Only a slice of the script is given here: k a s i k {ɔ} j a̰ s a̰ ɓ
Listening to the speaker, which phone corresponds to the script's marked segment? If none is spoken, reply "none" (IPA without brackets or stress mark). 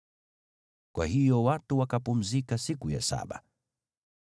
u